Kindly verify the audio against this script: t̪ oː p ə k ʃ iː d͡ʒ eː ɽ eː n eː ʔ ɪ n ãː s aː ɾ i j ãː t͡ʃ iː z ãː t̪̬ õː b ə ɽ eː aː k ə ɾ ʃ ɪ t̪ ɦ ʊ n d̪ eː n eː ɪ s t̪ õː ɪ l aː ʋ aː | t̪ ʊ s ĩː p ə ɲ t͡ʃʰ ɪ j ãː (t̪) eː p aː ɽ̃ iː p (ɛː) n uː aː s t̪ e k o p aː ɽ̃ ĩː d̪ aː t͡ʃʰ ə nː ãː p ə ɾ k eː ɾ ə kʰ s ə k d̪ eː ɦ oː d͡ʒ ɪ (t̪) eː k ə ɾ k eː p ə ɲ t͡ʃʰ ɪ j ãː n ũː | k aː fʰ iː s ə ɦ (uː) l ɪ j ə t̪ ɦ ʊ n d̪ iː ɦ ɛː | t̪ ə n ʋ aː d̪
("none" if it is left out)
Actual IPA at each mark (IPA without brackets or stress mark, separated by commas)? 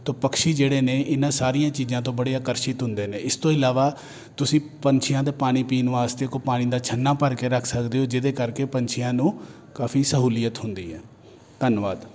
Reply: d̪, iː, d̪, uː